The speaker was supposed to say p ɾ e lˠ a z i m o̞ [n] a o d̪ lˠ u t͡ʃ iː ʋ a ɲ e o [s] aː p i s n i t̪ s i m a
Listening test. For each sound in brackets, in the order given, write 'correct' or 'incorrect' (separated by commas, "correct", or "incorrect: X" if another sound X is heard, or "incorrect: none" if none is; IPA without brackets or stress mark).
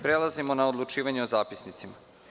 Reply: correct, incorrect: z